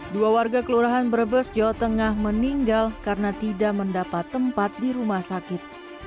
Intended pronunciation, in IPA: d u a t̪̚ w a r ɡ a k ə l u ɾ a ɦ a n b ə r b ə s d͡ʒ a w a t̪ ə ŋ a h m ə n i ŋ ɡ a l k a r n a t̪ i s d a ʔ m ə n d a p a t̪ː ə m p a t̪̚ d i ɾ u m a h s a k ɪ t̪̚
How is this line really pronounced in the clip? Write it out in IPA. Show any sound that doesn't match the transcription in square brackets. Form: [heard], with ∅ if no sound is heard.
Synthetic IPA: d u a [∅] w a r ɡ a k ə l u ɾ a ɦ a n b ə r b ə s d͡ʒ a w a t̪ ə ŋ a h m ə n i ŋ ɡ a l k a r n a t̪ i [∅] d a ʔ m ə n d a p a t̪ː ə m p a t̪̚ d i ɾ u m a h s a k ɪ t̪̚